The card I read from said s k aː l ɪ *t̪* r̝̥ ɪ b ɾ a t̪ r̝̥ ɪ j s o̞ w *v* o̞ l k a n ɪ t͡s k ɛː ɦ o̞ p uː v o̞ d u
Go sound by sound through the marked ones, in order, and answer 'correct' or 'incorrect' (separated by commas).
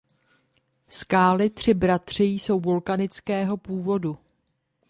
correct, correct